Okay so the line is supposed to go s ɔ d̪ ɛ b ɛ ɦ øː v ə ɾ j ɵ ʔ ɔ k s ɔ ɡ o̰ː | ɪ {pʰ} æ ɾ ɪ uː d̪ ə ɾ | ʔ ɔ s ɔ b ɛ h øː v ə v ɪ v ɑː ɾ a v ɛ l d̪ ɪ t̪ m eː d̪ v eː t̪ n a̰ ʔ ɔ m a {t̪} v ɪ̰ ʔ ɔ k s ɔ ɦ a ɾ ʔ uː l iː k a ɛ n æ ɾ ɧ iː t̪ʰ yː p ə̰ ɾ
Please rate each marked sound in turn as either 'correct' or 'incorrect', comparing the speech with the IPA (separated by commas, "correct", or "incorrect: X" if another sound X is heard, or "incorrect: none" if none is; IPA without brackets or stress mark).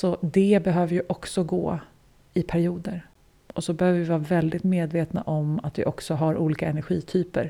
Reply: correct, correct